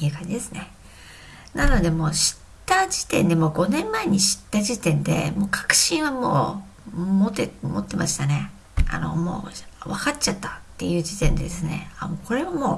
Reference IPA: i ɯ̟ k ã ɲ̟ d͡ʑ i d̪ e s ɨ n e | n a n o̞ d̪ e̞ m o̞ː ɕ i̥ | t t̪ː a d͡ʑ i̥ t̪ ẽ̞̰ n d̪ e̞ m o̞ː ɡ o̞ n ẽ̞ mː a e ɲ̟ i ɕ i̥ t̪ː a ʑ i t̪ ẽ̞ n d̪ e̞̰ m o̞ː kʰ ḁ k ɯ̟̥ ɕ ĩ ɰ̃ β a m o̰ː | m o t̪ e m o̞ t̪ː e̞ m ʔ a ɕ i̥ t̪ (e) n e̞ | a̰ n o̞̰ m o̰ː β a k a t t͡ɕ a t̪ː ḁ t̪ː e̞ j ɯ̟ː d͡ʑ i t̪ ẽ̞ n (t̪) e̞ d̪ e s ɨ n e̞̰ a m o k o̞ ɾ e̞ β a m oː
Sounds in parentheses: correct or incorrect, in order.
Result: incorrect: a, incorrect: d̪

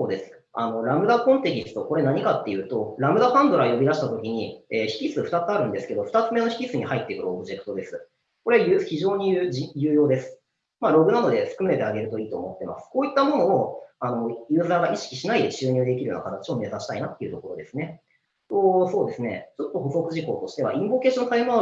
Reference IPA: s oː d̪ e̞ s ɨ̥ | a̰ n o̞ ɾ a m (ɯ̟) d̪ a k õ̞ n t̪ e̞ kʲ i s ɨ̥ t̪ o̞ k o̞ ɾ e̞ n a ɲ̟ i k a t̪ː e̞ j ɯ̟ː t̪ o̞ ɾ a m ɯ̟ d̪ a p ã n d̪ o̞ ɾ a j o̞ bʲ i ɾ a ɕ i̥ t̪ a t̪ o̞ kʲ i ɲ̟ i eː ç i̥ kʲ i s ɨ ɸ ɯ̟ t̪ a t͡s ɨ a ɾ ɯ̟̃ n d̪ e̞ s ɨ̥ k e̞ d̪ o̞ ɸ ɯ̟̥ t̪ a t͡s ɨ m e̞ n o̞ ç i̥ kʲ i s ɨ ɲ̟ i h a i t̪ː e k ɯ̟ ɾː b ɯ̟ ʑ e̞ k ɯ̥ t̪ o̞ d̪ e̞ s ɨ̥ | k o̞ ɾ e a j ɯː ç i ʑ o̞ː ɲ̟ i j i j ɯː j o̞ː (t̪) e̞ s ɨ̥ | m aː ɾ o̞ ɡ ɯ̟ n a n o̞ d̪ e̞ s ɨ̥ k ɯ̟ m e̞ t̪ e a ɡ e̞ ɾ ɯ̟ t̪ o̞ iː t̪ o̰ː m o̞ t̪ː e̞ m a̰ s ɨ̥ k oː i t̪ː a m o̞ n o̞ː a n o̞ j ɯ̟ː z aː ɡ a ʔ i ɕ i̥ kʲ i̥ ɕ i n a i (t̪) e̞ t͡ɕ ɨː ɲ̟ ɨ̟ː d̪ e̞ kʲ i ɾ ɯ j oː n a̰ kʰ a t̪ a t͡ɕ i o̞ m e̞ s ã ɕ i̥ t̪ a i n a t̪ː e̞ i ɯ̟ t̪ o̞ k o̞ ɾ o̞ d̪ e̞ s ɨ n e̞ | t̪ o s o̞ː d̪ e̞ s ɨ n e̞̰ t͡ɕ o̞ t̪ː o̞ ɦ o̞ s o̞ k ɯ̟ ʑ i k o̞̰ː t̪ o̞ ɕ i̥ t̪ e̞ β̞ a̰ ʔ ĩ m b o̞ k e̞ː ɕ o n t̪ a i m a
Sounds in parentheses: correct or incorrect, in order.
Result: correct, incorrect: d̪, incorrect: d̪

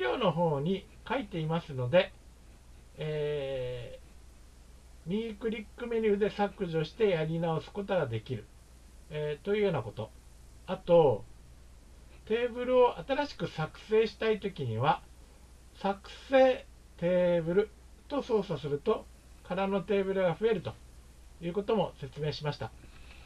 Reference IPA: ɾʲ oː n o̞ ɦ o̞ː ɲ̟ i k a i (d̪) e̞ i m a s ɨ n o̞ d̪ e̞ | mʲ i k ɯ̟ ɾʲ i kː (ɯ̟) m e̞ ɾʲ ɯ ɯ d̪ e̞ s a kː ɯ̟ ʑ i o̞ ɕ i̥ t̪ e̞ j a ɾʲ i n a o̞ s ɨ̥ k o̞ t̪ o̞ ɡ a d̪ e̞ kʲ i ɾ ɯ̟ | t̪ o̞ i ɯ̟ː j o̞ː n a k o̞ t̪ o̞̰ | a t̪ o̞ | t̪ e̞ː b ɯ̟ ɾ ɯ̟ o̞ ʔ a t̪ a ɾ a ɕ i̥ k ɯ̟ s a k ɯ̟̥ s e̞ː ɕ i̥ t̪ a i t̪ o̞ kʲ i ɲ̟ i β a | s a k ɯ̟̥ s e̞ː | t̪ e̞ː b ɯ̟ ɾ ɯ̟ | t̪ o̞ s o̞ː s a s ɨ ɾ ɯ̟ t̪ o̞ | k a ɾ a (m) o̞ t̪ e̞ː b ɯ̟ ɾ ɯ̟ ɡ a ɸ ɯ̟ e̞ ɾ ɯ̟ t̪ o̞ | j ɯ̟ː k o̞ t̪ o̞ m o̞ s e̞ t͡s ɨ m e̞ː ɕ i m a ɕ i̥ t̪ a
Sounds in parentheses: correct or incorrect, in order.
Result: incorrect: t̪, correct, incorrect: n

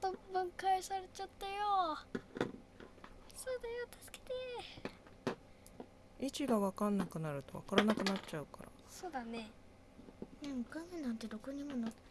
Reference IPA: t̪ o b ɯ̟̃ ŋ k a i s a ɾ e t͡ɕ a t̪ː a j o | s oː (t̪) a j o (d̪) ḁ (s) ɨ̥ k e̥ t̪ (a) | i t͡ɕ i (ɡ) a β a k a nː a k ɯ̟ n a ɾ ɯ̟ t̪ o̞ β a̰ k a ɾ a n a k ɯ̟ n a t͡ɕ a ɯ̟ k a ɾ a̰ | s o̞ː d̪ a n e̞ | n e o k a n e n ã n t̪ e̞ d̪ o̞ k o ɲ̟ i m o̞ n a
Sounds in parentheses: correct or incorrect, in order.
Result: incorrect: d̪, incorrect: t̪, correct, incorrect: e, correct

